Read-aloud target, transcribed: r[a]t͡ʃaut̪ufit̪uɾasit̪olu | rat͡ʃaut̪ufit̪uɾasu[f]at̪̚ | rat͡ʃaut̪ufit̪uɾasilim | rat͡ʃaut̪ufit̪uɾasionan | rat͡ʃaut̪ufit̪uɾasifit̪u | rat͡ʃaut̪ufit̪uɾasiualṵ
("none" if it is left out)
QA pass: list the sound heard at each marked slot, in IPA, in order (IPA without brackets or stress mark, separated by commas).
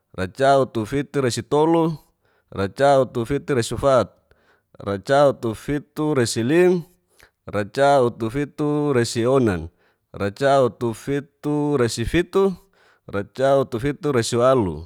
a, f